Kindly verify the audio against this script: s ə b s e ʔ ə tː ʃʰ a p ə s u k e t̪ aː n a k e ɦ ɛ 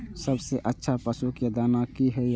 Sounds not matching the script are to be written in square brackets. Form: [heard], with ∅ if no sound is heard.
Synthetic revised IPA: s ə b s e ʔ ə tː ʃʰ a p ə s u k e [d̪] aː n a k [i] ɦ ɛ